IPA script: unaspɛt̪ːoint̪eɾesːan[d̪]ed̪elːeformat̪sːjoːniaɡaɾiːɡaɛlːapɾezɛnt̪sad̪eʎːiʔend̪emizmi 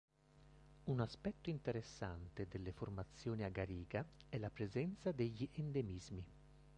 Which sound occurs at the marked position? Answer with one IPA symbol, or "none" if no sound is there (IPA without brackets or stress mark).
t̪